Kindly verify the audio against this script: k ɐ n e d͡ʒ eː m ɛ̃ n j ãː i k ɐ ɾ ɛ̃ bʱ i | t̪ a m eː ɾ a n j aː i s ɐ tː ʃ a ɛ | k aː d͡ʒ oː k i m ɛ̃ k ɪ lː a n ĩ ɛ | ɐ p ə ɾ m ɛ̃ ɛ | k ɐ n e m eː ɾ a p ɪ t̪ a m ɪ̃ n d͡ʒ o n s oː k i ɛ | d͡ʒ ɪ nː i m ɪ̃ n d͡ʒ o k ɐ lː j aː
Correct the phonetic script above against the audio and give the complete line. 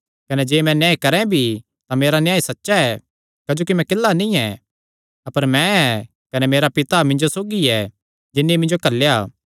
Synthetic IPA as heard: k ɐ n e d͡ʒ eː m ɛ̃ n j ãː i k ɐ ɾ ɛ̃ bʱ i | t̪ a m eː ɾ a n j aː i s ɐ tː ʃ a ɛ | k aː d͡ʒ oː k i m ɛ̃ k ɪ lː a n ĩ ɛ | ɐ p ə ɾ m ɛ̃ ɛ | k ɐ n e m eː ɾ a p ɪ t̪ a m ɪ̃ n d͡ʒ o s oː ɡ i ɛ | d͡ʒ ɪ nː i m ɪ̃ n d͡ʒ o k ɐ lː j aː

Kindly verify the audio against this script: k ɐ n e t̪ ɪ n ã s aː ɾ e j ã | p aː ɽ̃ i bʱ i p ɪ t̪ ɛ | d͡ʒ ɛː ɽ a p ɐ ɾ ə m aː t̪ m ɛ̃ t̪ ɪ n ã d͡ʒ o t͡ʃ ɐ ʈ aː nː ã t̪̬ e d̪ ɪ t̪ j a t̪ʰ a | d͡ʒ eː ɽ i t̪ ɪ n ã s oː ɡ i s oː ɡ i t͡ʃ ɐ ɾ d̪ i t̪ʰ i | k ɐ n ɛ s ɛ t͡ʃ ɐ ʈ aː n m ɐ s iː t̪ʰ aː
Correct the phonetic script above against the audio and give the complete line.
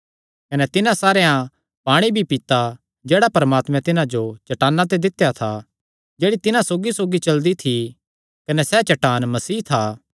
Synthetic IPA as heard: k ɐ n ɛ t̪ ɪ n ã s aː ɾ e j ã | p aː ɽ̃ i bʱ i p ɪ t̪ a | d͡ʒ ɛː ɽ a p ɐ ɾ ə m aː t̪ m ɛ̃ t̪ ɪ n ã d͡ʒ o t͡ʃ ɐ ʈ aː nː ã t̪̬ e d̪ ɪ t̪ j a t̪ʰ a | d͡ʒ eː ɽ i t̪ ɪ n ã s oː ɡ i s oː ɡ i t͡ʃ ɐ l d̪ i t̪ʰ i | k ɐ n ɛ s ɛ t͡ʃ ɐ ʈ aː n m ɐ s iː t̪ʰ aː

